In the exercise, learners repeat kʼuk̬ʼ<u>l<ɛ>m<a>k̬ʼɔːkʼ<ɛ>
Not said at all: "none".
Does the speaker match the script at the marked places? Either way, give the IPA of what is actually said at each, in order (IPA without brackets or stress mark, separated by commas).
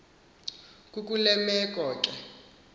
u, ɛ, ɛ, ɛ